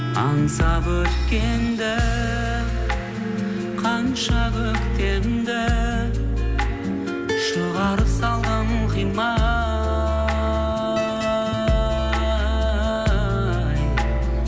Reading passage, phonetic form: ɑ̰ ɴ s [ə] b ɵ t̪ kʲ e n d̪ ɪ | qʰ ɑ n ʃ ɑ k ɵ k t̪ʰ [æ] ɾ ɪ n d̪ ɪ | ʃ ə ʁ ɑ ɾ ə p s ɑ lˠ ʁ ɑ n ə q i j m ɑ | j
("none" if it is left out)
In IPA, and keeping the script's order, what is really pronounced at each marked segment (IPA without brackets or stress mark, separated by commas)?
ɑ, e